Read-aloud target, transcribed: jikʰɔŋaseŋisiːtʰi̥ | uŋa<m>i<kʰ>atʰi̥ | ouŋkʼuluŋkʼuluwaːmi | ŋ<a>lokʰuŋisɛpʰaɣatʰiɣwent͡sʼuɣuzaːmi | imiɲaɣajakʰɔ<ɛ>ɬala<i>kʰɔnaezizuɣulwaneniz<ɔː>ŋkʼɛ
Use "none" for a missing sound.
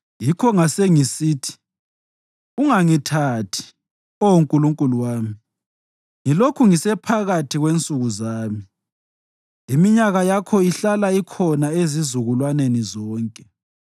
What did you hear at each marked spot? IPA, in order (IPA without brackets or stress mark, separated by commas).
ŋ, tʰ, i, i, i, ɔː